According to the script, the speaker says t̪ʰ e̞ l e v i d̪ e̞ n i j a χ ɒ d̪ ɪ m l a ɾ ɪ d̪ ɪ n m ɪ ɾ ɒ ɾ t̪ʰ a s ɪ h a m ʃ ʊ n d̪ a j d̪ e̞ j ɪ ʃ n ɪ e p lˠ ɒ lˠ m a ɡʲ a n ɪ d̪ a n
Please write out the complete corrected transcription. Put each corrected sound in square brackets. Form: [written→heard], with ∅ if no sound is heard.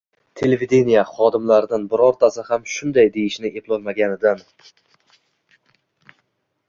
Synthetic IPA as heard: t̪ʰ e̞ l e v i d̪ e̞ n i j a χ ɒ d̪ ɪ m l a ɾ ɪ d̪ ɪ n [m→b] ɪ ɾ ɒ ɾ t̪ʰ a s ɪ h a m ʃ ʊ n d̪ a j d̪ e̞ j ɪ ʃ n ɪ e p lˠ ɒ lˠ m a ɡʲ a n ɪ d̪ a n

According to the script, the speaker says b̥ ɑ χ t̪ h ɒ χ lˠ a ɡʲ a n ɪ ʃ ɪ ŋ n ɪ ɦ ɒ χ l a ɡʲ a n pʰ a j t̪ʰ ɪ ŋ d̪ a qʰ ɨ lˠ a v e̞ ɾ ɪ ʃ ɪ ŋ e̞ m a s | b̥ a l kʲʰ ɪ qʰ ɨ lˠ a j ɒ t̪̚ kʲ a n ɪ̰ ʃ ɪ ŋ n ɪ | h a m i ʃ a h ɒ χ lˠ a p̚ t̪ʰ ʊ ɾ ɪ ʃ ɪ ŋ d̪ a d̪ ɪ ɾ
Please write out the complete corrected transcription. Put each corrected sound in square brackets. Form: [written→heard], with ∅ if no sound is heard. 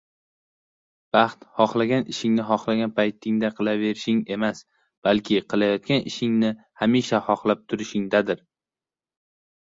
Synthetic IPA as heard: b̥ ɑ χ t̪ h ɒ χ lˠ a ɡʲ a n ɪ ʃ ɪ ŋ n ɪ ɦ ɒ χ l a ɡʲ a n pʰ a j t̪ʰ ɪ ŋ d̪ a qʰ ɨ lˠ a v e̞ ɾ ɪ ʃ ɪ ŋ e̞ m a s | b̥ a l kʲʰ ɪ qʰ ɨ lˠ a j ɒ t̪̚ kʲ a n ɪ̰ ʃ ɪ ŋ n ɪ | h a m i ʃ a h ɒ χ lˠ a p̚ t̪ʰ ʊ ɾ ɪ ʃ ɪ ŋ d̪ a d̪ ɪ ɾ

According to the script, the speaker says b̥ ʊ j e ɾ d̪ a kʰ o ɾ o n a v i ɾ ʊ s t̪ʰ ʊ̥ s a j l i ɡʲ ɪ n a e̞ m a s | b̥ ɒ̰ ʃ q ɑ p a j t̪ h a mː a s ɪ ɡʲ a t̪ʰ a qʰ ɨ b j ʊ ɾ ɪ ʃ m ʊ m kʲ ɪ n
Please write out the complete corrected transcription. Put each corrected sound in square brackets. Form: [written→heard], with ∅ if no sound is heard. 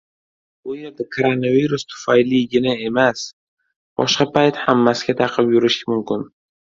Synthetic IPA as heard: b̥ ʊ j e ɾ d̪ a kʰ o ɾ o n a v i ɾ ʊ s t̪ʰ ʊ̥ [s→f] a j l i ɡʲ ɪ n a e̞ m a s | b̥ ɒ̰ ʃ q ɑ p a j t̪ h a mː a s ɪ ɡʲ a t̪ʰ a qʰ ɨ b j ʊ ɾ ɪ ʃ m ʊ m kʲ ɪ n

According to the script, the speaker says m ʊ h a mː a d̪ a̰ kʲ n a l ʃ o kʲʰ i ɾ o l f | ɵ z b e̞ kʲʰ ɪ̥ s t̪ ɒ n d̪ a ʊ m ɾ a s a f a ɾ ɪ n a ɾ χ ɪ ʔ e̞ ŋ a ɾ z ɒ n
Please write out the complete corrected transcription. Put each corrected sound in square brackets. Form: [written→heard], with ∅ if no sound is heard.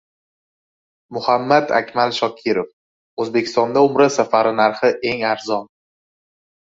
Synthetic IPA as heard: m ʊ h a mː a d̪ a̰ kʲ [n→m] a l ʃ [o→ɒ] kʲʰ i ɾ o [l→∅] f | ɵ z b e̞ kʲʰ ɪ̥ s t̪ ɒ n d̪ a ʊ m ɾ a s a f a ɾ ɪ n a ɾ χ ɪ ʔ e̞ ŋ a ɾ z ɒ n

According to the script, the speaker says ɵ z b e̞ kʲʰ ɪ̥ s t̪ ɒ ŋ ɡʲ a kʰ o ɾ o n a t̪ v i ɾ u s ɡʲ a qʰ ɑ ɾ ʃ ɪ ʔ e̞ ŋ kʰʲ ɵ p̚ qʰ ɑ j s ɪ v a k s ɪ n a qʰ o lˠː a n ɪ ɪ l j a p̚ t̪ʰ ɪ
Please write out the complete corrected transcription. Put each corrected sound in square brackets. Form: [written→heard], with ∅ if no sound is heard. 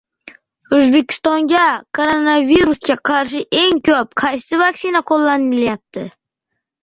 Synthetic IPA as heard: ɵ z b e̞ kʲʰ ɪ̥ s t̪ ɒ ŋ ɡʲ a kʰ o ɾ o n a [t̪→∅] v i ɾ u s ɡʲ a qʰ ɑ ɾ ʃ ɪ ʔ e̞ ŋ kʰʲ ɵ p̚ qʰ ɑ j s ɪ v a k s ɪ n a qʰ o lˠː a n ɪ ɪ l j a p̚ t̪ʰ ɪ

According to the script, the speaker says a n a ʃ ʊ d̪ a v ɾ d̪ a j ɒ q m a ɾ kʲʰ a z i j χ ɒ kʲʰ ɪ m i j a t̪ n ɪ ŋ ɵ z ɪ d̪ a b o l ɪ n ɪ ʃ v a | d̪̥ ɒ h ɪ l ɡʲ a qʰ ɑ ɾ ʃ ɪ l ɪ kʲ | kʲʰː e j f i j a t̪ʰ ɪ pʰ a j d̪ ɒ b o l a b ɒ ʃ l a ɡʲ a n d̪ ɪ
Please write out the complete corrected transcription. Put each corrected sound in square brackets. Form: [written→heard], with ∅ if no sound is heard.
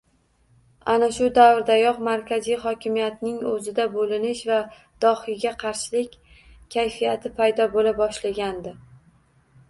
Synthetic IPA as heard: a n a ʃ ʊ d̪ a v ɾ d̪ a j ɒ q m a ɾ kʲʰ a z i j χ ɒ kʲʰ ɪ m i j a t̪ n ɪ ŋ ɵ z ɪ d̪ a b o l ɪ n ɪ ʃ v a | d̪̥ ɒ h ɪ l ɡʲ a qʰ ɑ ɾ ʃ ɪ l ɪ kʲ | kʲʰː [e→a] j f i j a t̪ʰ ɪ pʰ a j d̪ ɒ b o l a b ɒ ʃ l a ɡʲ a n d̪ ɪ

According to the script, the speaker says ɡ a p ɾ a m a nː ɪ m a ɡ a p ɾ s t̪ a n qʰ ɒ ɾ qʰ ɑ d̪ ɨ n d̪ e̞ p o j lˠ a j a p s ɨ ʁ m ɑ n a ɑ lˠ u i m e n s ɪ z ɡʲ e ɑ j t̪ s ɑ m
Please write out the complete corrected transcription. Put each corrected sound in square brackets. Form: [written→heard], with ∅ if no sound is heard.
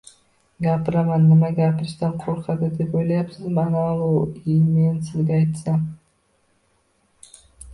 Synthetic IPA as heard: ɡ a p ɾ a m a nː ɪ m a ɡ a p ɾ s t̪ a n qʰ [ɒ→o] ɾ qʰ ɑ d̪ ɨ [n→∅] d̪ e̞ p o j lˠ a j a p s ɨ [ʁ→z] m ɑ n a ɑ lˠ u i m e n s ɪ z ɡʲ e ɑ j t̪ s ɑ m

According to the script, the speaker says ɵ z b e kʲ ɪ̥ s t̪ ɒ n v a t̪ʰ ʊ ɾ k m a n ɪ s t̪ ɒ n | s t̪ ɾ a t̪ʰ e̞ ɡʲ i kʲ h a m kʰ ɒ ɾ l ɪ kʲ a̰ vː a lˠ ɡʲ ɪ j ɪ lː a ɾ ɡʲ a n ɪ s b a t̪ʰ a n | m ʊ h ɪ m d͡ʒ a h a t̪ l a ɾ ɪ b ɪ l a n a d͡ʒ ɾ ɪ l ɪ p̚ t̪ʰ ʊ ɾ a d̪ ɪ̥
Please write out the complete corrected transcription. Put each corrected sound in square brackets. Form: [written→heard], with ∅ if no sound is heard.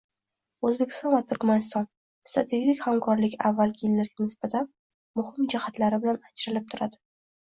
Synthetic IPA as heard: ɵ z b e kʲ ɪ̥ s t̪ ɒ n v a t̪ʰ ʊ ɾ k m a n ɪ s t̪ ɒ n | s t̪ ɾ a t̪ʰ e̞ ɡʲ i kʲ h a m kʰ ɒ ɾ l ɪ kʲ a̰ vː a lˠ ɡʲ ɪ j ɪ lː a ɾ ɡʲ a n ɪ s b a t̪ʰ a n | m ʊ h ɪ m d͡ʒ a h a t̪ l a ɾ ɪ b ɪ l a n a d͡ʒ ɾ ɪ l ɪ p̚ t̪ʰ ʊ ɾ a d̪ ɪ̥

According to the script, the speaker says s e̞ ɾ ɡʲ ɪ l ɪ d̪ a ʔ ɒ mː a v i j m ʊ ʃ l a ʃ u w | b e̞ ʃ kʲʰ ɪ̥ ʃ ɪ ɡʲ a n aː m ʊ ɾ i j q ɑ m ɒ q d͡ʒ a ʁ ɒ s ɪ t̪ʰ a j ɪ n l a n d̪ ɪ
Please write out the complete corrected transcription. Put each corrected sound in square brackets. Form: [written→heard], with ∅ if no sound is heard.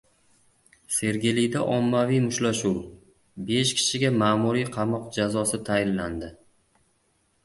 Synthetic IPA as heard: s e̞ ɾ ɡʲ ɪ l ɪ d̪ a ʔ ɒ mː a v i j m ʊ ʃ l a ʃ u w | b e̞ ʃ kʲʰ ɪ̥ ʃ ɪ ɡʲ a [n→m] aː m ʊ ɾ i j [q→qʰ] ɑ m ɒ q d͡ʒ a [ʁ→z] ɒ s ɪ t̪ʰ a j ɪ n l a n d̪ ɪ

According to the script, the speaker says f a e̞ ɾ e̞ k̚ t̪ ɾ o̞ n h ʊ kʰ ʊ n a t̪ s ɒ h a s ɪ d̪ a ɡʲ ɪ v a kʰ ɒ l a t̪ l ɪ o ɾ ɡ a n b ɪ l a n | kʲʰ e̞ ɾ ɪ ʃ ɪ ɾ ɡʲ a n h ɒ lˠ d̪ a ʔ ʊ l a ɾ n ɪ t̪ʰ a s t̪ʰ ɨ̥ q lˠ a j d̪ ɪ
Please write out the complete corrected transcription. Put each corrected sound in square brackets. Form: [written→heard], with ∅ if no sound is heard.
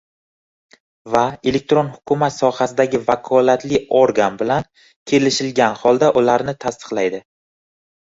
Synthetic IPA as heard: [f→v] a e̞ [ɾ→l] e̞ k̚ t̪ ɾ o̞ n h ʊ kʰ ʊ [n→m] a t̪ s ɒ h a s ɪ d̪ a ɡʲ ɪ v a kʰ ɒ l a t̪ l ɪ o ɾ ɡ a n b ɪ l a n | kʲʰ e̞ [ɾ→l] ɪ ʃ ɪ [ɾ→l] ɡʲ a n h ɒ lˠ d̪ a ʔ ʊ l a ɾ n ɪ t̪ʰ a s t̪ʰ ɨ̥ q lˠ a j d̪ ɪ

